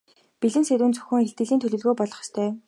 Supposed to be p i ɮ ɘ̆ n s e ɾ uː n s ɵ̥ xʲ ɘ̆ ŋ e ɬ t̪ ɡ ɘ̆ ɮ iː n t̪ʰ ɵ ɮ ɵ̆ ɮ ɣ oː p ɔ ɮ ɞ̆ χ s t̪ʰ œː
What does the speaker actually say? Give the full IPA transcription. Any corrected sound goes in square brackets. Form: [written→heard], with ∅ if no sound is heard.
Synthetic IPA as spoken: p i ɮ ɘ̆ n s e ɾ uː n [s→t͡s] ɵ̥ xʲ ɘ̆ ŋ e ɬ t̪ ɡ ɘ̆ ɮ iː n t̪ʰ ɵ ɮ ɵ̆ ɮ ɣ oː p ɔ ɮ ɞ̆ χ s t̪ʰ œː